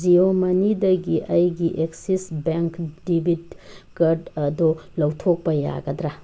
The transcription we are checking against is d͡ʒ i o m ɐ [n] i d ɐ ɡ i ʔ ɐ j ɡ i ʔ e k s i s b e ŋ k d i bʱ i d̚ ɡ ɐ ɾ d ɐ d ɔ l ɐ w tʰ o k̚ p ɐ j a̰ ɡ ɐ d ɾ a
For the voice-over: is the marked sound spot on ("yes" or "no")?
yes